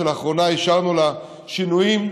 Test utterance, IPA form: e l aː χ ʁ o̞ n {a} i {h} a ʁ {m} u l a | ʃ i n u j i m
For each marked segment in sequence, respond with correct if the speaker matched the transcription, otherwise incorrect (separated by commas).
correct, incorrect, incorrect